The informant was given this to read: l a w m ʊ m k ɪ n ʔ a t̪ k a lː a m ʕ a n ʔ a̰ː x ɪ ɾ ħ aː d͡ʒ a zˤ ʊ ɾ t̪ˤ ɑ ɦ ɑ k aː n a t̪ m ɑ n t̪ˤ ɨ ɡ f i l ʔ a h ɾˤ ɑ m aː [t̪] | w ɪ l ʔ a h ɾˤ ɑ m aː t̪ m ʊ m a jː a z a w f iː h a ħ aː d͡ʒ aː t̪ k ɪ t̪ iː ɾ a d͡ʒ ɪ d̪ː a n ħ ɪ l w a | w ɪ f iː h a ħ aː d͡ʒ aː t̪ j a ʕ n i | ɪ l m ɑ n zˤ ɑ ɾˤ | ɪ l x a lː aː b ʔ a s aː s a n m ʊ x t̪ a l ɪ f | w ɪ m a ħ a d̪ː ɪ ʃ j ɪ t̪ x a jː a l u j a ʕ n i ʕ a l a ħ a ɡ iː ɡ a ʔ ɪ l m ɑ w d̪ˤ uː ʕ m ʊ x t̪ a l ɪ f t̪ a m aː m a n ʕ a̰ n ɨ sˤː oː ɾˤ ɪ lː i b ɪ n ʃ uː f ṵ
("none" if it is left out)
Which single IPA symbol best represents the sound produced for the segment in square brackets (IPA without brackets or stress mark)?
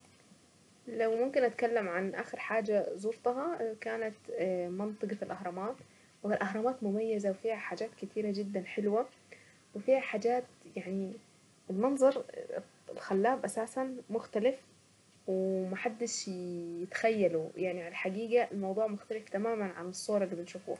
t̪